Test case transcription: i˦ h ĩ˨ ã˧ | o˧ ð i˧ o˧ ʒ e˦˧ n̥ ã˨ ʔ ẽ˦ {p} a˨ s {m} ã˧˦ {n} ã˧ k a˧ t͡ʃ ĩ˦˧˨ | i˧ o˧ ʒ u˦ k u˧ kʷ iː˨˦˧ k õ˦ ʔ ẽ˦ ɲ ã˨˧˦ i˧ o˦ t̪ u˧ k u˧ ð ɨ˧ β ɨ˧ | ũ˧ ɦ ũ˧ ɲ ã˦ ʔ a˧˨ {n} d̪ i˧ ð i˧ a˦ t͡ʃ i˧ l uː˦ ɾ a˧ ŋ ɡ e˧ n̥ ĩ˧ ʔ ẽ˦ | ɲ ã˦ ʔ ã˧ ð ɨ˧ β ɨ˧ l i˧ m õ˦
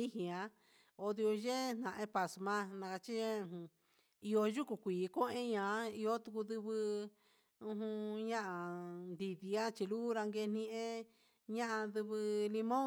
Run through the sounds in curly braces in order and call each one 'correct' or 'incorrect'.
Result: correct, correct, correct, correct

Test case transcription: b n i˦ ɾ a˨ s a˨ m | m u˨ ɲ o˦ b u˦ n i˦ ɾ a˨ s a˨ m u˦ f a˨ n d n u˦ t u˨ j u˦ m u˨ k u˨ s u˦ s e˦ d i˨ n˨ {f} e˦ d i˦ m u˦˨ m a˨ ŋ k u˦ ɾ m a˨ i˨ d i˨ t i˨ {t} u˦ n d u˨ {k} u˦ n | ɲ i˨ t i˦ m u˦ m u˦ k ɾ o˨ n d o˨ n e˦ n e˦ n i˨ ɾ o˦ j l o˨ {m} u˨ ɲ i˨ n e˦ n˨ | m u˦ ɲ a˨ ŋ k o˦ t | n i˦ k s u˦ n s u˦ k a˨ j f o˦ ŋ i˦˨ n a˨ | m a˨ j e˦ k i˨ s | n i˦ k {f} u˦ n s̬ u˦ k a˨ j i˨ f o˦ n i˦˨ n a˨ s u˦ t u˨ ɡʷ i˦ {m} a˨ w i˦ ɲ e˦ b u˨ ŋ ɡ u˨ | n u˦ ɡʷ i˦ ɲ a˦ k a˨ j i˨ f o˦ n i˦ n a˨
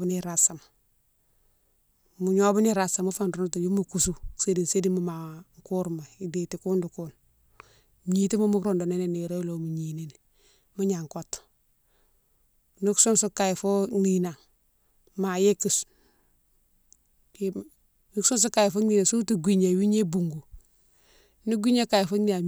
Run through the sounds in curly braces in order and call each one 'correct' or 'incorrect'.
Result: incorrect, incorrect, correct, correct, incorrect, incorrect

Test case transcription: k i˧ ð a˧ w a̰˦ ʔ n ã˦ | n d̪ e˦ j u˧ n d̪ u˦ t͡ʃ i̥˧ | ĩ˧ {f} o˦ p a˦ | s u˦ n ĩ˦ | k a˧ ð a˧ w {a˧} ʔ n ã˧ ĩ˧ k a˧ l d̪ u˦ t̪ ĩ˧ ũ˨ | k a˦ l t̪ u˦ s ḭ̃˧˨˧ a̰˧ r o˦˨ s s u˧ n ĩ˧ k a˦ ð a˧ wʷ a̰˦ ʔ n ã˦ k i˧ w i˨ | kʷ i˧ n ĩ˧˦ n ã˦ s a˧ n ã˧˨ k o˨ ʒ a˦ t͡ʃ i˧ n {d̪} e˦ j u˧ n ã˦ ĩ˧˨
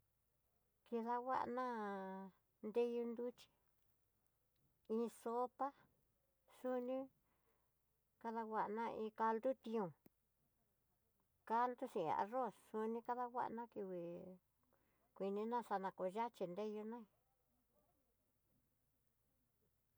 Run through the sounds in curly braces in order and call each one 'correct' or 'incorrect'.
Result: incorrect, correct, correct

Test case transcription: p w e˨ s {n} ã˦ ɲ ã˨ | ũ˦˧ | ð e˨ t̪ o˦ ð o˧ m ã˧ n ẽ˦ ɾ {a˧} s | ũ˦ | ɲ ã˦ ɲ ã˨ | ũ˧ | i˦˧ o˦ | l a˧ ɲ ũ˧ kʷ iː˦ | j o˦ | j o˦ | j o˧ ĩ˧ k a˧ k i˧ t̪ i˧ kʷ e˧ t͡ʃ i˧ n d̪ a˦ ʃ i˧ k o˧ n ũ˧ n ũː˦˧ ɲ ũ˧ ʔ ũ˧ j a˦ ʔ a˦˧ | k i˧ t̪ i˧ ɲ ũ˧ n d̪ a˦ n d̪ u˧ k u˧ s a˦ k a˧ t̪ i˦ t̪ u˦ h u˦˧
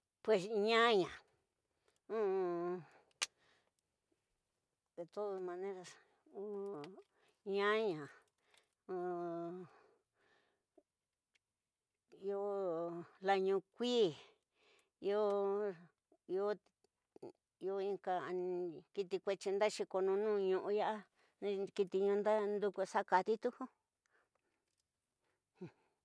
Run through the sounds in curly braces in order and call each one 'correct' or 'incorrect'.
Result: incorrect, correct

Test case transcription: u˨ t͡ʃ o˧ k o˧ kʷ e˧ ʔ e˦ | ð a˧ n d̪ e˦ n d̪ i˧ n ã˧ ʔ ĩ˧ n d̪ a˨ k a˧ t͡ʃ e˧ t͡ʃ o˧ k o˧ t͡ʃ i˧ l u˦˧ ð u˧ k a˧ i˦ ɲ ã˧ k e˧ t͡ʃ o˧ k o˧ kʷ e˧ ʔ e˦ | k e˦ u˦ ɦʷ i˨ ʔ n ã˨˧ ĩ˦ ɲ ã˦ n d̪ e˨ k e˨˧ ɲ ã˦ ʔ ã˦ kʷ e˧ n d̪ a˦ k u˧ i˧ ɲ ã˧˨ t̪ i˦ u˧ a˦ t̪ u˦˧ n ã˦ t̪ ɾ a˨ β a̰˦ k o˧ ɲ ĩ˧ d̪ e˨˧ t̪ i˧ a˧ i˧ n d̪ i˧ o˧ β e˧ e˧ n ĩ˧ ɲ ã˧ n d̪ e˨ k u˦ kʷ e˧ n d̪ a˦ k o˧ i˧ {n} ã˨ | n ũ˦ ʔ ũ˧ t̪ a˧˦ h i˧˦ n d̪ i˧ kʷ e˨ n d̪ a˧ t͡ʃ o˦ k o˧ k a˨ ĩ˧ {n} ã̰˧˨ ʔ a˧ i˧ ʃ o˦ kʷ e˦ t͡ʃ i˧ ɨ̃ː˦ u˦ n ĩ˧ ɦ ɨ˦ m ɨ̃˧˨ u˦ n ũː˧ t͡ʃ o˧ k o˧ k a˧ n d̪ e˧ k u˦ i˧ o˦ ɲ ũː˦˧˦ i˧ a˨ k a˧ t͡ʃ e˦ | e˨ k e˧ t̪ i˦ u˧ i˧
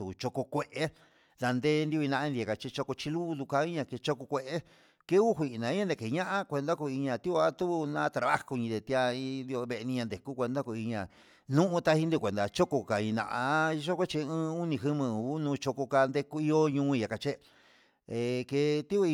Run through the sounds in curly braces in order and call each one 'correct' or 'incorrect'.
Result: incorrect, correct

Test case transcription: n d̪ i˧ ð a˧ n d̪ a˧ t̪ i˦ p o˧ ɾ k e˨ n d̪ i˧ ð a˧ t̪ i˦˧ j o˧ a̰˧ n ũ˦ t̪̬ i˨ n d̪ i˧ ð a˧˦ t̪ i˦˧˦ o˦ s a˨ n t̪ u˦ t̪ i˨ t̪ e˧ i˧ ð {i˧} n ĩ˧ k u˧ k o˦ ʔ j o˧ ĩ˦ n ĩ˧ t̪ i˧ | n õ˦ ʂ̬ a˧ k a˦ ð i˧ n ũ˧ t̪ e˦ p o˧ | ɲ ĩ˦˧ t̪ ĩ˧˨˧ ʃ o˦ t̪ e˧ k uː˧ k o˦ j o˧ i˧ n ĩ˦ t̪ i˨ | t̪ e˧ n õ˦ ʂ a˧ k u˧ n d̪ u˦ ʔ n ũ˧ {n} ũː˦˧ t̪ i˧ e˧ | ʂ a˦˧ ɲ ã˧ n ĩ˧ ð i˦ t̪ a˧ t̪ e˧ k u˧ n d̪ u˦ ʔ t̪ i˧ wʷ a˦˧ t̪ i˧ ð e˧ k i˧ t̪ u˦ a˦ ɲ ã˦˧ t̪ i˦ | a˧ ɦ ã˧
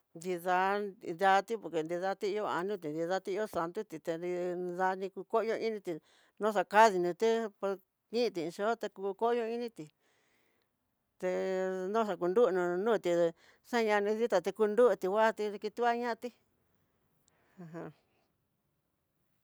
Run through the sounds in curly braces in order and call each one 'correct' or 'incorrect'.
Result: incorrect, correct

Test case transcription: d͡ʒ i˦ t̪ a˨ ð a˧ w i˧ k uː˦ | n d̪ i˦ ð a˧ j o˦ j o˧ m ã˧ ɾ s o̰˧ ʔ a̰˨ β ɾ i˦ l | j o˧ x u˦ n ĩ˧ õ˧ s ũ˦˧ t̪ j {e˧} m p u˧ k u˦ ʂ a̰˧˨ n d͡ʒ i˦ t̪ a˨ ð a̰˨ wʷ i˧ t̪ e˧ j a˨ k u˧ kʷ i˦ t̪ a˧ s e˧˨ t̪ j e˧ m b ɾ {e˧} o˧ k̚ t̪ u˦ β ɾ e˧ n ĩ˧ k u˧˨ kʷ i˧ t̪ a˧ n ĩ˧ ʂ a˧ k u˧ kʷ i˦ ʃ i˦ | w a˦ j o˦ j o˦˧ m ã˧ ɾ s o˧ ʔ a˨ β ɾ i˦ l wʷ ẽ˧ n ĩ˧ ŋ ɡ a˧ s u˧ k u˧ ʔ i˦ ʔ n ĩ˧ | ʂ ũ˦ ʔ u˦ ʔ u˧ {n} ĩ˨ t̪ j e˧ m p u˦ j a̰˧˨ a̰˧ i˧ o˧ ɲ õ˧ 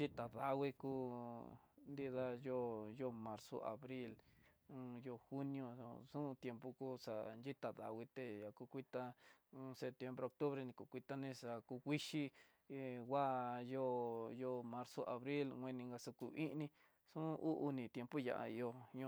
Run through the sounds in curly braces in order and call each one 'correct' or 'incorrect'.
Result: correct, correct, correct

